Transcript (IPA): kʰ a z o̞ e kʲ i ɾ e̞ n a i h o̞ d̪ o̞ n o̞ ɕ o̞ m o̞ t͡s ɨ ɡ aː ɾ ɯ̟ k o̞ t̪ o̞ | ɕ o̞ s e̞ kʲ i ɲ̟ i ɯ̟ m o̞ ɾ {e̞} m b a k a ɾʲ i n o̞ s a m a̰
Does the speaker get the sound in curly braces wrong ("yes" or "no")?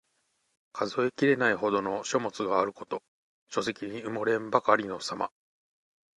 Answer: yes